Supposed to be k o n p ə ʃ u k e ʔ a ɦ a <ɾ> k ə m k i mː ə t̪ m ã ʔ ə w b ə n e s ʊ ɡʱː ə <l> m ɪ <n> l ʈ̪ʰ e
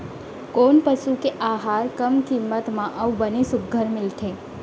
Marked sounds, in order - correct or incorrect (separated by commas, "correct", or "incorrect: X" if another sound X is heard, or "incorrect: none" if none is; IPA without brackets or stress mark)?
correct, incorrect: ɾ, incorrect: none